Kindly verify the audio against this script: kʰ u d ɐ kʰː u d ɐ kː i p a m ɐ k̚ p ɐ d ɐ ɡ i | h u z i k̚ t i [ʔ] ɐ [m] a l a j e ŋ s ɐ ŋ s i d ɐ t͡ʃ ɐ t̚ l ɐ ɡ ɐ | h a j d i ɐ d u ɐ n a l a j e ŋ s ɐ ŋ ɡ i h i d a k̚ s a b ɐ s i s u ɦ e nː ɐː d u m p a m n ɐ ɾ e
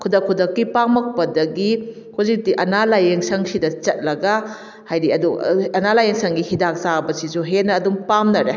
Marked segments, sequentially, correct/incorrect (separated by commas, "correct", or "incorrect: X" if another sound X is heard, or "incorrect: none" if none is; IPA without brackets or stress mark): correct, incorrect: n